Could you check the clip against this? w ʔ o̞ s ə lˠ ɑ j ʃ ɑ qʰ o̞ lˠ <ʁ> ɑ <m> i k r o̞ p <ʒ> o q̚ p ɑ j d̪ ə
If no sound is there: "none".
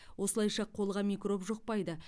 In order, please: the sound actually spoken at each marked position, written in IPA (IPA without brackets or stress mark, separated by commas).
ʁ, m, ʒ